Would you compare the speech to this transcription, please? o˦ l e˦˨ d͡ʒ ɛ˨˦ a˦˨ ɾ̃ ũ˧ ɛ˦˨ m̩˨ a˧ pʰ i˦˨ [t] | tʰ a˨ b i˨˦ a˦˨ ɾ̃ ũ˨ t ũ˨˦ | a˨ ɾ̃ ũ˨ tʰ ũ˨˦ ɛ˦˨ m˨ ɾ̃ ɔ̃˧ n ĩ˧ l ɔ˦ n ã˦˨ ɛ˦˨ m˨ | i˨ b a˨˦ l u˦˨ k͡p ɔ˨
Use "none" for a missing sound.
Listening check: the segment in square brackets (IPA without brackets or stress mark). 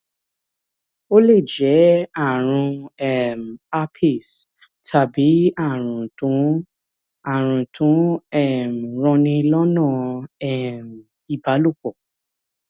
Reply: s